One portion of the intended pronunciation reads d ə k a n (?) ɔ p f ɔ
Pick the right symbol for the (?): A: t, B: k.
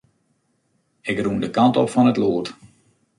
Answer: A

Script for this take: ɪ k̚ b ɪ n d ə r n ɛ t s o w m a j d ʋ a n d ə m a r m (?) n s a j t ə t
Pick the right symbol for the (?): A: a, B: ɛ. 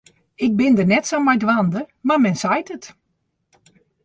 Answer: B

